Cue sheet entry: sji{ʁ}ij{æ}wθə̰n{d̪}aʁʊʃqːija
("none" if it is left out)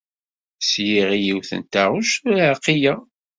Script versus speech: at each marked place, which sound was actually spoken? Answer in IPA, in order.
ʁ, i, t̪

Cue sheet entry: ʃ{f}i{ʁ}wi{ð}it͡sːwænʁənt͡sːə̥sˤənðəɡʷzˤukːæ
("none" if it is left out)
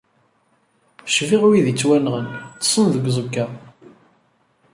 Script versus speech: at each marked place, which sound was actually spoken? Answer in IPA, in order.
v, ʁ, ð

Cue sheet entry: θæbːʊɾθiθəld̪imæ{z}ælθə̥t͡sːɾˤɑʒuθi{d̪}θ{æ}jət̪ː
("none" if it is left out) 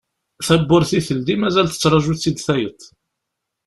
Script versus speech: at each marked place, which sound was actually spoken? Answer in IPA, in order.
z, d̪, æ

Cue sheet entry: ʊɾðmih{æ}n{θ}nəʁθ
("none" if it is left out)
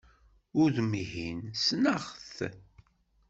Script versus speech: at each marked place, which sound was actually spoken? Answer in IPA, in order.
i, s

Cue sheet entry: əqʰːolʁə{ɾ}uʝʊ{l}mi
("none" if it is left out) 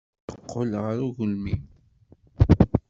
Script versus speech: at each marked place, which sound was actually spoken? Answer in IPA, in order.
ɾ, l

